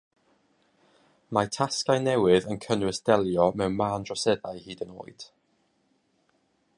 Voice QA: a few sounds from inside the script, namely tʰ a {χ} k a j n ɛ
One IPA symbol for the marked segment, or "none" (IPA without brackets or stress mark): s